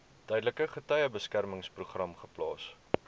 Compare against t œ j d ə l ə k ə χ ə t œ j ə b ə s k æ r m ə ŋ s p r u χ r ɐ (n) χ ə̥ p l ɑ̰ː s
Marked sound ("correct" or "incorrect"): incorrect